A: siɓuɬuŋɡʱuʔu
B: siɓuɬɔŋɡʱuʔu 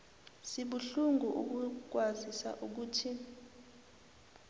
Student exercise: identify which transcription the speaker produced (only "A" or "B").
A